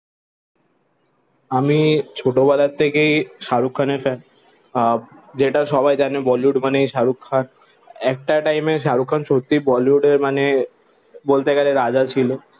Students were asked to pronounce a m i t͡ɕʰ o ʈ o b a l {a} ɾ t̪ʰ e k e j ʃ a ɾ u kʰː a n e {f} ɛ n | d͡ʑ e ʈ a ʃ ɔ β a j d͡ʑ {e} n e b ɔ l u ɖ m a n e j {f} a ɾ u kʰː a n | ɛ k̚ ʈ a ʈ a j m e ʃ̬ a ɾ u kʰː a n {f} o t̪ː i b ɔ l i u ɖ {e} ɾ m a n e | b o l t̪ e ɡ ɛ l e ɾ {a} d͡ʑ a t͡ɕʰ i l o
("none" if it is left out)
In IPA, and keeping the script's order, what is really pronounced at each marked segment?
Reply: a, f, a, ʃ, ʃ, e, a

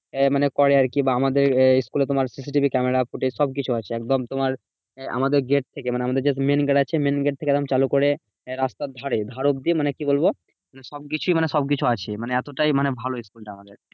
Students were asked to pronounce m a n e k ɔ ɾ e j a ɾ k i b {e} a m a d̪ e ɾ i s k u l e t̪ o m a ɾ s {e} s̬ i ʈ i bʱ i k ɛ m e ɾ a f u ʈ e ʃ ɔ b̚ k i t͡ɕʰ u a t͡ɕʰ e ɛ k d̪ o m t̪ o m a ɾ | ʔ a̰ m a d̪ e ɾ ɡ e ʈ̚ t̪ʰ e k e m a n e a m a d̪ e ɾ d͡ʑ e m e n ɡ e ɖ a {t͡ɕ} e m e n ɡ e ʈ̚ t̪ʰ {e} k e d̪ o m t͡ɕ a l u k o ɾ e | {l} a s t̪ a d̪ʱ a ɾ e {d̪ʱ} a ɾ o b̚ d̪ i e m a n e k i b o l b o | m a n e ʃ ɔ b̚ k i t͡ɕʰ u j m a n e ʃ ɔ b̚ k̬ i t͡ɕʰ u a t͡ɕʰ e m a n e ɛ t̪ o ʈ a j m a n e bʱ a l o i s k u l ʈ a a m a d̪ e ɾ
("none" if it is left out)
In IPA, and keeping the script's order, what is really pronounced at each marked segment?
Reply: a, i, t͡ɕʰ, e, ɾ, d̪ʱ

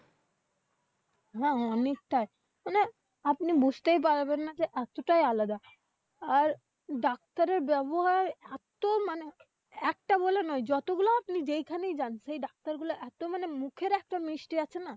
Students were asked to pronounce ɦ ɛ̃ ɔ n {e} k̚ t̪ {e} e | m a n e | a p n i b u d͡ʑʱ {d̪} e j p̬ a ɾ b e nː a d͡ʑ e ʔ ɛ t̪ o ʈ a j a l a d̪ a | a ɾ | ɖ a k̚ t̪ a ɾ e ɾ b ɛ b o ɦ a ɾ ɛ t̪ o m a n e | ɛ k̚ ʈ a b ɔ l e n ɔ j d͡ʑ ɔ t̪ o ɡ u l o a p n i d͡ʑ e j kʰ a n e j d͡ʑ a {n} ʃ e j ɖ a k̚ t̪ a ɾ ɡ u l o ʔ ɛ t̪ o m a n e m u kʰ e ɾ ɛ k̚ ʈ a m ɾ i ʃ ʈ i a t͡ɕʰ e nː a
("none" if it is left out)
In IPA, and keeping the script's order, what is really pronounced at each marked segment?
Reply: e, a, t̪, n

